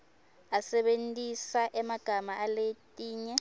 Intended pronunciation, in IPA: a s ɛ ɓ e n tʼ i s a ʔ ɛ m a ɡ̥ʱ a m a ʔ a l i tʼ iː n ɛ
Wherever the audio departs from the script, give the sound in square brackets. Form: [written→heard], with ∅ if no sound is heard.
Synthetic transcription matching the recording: a s ɛ ɓ e n tʼ i s a ʔ ɛ m a ɡ̥ʱ a m a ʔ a l [i→e] tʼ iː [n→ɲ] ɛ